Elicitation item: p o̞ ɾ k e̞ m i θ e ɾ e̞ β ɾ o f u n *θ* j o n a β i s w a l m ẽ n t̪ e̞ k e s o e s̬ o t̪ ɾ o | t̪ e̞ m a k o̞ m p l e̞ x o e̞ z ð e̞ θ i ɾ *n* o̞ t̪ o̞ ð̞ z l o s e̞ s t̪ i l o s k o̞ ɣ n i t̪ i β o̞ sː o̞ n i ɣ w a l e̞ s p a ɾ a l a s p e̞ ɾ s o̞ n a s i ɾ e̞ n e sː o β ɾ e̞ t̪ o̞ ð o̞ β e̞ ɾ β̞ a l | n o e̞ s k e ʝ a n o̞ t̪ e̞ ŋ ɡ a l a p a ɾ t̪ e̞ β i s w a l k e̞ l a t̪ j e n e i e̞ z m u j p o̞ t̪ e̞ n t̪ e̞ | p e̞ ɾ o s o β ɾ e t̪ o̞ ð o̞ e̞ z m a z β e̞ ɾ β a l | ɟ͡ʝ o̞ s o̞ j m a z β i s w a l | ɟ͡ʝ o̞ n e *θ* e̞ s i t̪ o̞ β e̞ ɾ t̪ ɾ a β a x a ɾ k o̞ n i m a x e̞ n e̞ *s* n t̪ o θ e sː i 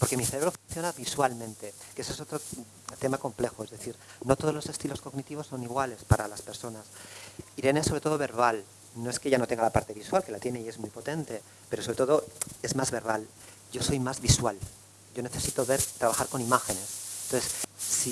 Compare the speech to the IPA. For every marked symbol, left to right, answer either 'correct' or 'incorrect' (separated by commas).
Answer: correct, correct, correct, correct